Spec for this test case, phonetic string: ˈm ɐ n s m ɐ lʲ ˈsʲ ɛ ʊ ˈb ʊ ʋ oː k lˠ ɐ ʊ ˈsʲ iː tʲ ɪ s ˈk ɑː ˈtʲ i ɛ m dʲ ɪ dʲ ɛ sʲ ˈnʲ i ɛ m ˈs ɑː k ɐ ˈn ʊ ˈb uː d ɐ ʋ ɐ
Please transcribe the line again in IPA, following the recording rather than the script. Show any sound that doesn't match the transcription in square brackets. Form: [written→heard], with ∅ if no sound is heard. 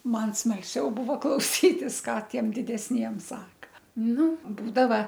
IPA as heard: ˈm ɐ n s m ɐ lʲ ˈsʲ ɛ ʊ ˈb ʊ ʋ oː k lˠ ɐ ʊ ˈsʲ iː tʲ ɪ s ˈk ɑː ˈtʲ i ɛ m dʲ ɪ dʲ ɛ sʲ ˈnʲ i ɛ m ˈs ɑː k ɐ ˈn ʊ ˈb uː d ɐ ʋ ɐ